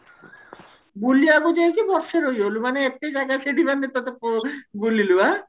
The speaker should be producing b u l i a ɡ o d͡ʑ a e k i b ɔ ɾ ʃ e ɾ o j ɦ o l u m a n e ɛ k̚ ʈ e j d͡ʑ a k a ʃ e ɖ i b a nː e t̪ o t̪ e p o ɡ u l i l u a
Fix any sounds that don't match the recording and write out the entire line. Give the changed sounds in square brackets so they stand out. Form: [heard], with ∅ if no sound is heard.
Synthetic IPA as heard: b u l i a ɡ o d͡ʑ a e k i b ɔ ɾ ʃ e ɾ o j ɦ o l u m a n e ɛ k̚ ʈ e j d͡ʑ a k a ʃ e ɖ i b a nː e t̪ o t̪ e p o ɡ u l i l u a

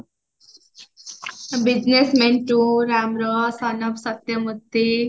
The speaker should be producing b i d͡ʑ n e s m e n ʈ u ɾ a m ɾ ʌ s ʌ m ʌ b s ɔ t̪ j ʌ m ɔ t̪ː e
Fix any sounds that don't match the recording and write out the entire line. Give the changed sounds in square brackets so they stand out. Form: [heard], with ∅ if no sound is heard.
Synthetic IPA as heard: b i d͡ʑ n e s m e n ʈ u ɾ a m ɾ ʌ s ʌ [n] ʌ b s [ʌ] t̪ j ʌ m [u] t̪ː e

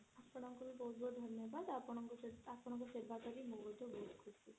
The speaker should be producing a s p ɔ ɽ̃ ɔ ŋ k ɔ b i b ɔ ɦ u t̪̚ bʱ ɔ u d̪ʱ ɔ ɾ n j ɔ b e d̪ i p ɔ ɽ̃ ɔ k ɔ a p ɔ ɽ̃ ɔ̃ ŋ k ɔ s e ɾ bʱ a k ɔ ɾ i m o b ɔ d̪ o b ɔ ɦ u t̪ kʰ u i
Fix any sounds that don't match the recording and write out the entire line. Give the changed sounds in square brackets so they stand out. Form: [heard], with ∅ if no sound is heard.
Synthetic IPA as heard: a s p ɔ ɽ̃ ɔ ŋ k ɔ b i b ɔ ɦ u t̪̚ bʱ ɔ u d̪ʱ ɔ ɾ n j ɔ b [a] d̪ [a] p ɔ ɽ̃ ɔ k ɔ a p ɔ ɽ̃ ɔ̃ ŋ k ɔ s e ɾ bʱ a k ɔ ɾ i m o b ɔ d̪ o b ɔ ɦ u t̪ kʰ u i

